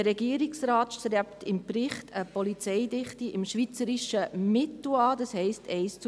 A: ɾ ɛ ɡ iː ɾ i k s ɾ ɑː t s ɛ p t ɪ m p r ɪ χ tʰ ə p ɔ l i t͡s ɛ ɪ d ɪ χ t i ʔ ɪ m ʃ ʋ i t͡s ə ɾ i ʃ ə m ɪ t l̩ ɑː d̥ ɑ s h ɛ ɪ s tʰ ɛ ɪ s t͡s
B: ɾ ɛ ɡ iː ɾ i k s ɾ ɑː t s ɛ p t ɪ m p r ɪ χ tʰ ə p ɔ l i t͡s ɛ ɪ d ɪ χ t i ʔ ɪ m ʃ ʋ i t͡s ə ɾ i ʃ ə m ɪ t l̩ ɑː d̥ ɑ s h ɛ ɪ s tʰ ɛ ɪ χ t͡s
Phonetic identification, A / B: A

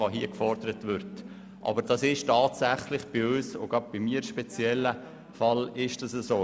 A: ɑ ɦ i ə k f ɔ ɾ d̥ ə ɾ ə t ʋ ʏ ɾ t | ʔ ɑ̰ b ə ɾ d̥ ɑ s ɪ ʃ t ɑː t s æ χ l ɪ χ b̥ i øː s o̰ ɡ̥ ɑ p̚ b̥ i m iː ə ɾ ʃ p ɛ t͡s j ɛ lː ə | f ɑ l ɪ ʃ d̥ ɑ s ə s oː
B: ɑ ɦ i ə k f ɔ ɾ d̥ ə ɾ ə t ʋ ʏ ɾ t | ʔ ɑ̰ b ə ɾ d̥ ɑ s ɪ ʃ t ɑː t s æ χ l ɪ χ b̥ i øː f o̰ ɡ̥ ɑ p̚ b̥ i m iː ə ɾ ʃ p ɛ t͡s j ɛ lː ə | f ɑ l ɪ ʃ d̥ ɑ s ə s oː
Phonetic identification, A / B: A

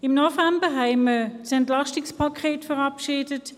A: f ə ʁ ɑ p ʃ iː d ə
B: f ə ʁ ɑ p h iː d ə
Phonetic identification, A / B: A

